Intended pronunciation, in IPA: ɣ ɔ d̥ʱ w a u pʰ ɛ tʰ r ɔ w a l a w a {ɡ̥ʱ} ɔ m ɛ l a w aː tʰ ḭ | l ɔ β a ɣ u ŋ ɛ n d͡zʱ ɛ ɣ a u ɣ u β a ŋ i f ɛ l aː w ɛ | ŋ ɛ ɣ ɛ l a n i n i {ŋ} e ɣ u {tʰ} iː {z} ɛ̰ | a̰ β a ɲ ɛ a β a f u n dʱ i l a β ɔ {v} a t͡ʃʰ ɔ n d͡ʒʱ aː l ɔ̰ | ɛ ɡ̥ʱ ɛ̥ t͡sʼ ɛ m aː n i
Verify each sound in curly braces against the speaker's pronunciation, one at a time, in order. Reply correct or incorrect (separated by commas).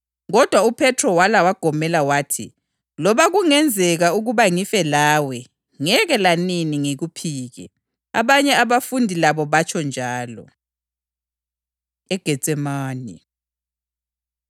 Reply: correct, correct, incorrect, incorrect, incorrect